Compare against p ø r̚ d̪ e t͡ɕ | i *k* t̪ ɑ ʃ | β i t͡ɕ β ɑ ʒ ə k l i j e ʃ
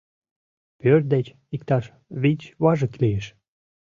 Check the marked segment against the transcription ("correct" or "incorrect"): correct